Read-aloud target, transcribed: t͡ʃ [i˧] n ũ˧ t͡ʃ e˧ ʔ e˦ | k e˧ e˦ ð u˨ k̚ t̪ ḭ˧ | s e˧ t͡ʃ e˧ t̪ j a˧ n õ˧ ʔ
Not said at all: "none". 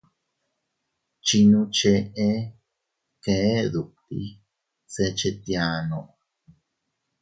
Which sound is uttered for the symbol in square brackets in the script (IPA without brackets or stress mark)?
i˧